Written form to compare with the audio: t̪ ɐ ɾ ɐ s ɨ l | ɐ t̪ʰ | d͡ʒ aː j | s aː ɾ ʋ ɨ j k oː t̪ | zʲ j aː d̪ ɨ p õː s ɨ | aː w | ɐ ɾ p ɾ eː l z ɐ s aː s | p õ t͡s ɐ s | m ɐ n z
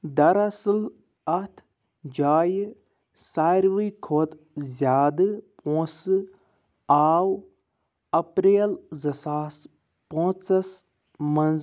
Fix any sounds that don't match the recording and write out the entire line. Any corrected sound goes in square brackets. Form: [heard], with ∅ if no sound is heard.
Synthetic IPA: [d̪] ɐ ɾ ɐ s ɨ l | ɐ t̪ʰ | d͡ʒ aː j | s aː ɾ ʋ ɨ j [kʰ] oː t̪ | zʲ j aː d̪ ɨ p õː s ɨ | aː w | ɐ [∅] p ɾ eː l z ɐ s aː s | p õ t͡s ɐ s | m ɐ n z